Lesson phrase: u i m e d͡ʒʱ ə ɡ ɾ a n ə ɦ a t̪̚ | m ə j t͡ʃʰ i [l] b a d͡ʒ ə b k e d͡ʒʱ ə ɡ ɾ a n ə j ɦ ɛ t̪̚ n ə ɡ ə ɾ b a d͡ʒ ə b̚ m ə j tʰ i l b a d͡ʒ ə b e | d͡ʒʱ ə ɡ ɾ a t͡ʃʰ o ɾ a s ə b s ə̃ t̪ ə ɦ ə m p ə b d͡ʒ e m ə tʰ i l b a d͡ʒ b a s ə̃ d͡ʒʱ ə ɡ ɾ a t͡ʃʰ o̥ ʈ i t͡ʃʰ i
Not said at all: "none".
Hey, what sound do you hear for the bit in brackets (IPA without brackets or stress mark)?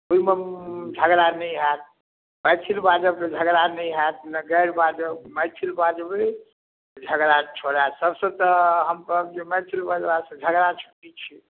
l